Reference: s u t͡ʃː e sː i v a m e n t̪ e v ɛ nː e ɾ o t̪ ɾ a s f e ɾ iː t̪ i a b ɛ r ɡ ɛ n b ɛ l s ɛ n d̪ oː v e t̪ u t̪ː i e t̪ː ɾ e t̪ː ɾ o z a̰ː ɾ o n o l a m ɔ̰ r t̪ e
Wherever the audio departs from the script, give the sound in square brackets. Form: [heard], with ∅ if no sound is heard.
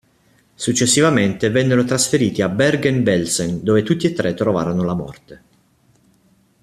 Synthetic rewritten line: s u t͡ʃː e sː i v a m e n t̪ e v ɛ nː e ɾ o t̪ ɾ a s f e ɾ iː t̪ i a b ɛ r ɡ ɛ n b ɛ l s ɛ n d̪ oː v e t̪ u t̪ː i e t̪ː ɾ e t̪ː ɾ o [v] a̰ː ɾ o n o l a m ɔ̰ r t̪ e